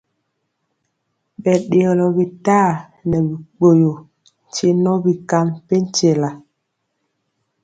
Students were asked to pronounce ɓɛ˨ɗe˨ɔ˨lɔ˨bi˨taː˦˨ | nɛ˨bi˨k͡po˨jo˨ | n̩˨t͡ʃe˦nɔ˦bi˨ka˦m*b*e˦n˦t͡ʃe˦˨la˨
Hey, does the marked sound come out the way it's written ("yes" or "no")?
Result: no